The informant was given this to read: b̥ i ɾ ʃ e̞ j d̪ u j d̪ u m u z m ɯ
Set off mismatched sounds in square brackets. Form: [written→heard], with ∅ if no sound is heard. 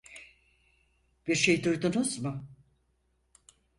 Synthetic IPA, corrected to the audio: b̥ i ɾ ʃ e̞ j d̪ u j d̪ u [m→n] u z m [ɯ→ʊ]